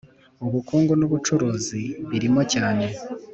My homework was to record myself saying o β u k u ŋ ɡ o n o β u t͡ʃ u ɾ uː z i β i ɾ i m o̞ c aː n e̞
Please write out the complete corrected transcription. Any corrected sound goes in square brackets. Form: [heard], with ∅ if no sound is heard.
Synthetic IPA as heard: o β u k [uː] ŋ ɡ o n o β u t͡ʃ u ɾ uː z i β i ɾ i m o̞ c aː n e̞